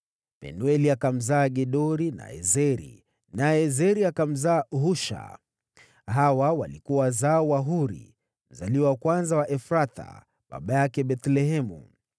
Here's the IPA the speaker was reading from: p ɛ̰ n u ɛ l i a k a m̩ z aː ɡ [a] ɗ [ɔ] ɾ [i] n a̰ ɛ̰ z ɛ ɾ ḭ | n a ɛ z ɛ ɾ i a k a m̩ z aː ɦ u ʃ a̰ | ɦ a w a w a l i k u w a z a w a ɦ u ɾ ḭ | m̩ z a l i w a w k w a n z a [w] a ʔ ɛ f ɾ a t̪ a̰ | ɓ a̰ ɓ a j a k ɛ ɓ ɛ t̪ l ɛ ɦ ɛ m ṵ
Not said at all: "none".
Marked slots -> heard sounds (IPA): ɛ, ɔ, i, w

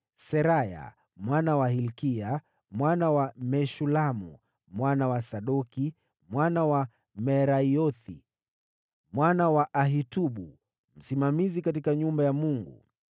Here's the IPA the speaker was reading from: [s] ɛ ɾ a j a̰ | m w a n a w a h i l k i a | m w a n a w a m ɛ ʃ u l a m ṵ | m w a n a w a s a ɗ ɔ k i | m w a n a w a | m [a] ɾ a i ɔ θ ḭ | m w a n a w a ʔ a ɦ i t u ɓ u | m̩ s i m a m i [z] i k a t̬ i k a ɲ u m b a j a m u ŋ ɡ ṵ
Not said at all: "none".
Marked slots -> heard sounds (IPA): s, ɛ, z

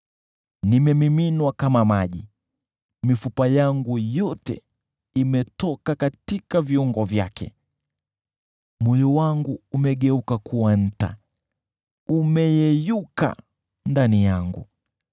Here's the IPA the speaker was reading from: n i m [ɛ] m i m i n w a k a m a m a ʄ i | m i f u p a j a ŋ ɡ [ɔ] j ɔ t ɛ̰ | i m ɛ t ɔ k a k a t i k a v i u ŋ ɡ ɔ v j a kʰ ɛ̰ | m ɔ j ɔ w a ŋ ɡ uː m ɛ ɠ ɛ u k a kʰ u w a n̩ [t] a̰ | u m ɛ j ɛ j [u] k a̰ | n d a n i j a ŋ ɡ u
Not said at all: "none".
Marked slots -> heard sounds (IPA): ɛ, u, t, u

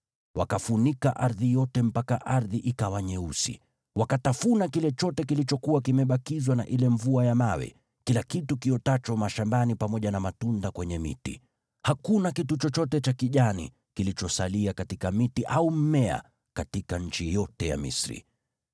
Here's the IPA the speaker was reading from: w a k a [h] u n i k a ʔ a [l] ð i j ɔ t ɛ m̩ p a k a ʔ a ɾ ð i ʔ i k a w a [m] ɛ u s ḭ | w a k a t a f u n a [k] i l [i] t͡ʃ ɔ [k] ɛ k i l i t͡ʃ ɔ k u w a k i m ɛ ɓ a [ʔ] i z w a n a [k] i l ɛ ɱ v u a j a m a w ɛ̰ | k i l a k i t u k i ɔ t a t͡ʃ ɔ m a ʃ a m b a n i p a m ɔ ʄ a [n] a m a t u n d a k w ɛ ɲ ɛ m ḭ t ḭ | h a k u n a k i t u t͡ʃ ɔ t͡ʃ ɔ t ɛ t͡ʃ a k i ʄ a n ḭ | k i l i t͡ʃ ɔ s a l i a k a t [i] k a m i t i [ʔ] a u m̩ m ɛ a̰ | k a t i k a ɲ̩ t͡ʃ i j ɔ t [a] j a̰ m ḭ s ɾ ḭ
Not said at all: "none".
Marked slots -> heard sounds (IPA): f, ɾ, ɲ, k, ɛ, t, k, ʔ, n, i, ʔ, ɛ

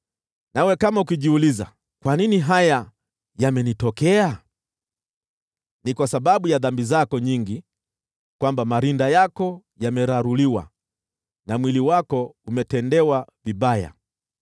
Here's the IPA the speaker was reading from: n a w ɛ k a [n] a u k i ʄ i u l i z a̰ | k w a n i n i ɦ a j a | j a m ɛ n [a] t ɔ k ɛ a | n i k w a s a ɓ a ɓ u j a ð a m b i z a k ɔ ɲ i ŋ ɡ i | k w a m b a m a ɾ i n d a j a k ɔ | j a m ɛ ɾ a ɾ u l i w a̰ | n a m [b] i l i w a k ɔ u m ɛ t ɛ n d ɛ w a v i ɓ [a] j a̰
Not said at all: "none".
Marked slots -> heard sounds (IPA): m, i, w, a

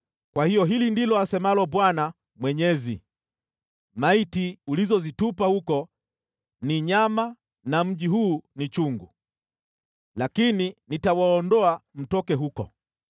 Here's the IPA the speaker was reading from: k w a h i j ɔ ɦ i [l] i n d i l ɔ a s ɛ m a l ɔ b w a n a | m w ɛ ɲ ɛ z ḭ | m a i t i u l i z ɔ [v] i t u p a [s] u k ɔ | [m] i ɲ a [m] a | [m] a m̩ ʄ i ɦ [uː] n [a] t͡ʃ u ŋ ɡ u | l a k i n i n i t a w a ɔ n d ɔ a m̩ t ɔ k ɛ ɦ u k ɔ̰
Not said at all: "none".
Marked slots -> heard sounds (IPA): l, z, h, n, m, n, uː, i

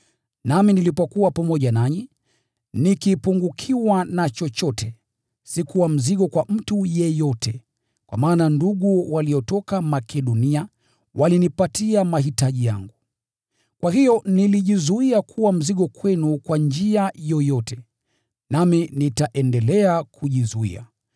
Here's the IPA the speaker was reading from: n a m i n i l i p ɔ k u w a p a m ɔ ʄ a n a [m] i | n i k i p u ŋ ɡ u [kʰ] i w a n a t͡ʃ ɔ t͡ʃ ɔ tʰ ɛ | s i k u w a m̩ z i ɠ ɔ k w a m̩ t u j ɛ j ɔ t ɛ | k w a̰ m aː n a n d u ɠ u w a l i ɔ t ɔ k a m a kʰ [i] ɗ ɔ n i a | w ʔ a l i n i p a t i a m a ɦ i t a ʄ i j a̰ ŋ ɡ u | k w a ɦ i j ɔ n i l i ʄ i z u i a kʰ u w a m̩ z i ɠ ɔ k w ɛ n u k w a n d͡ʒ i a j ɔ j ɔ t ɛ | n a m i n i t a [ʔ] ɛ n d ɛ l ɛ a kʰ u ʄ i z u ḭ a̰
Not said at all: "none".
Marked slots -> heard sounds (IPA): ɲ, kʰ, ɛ, ʔ

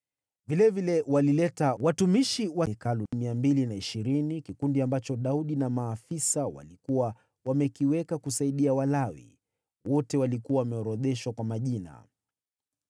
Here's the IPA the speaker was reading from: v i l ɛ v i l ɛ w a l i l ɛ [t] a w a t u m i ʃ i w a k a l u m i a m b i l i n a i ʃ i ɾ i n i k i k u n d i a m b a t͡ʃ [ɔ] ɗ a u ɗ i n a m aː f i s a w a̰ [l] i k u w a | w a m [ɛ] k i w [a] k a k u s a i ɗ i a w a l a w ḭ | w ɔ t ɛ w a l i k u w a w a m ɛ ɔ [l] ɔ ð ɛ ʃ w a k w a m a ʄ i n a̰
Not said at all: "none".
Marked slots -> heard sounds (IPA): t, ɔ, l, ɛ, ɛ, ɾ

